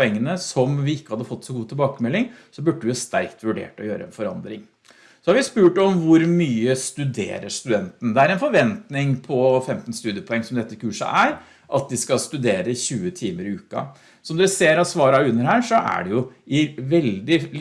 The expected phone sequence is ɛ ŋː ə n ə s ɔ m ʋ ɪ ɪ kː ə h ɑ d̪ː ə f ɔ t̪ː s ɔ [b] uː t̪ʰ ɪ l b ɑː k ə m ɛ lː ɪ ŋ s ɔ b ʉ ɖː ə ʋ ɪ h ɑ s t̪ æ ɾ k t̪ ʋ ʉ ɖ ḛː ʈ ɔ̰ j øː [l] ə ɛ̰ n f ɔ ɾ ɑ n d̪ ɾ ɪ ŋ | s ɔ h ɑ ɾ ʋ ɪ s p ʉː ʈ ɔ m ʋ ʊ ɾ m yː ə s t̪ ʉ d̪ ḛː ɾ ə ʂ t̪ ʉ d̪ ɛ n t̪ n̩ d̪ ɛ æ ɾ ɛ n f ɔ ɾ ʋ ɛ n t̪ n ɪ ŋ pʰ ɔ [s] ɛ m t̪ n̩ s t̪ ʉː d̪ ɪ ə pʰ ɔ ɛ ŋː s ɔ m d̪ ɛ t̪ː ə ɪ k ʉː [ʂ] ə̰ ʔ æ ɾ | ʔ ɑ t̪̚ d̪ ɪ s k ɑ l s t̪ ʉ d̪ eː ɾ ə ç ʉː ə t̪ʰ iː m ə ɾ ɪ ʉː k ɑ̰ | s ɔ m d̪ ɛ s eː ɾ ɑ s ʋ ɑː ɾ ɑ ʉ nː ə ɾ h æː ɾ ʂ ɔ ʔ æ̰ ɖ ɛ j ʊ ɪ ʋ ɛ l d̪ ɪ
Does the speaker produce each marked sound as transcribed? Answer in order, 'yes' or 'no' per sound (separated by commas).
no, no, no, yes